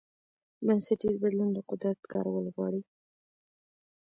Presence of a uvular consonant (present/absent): present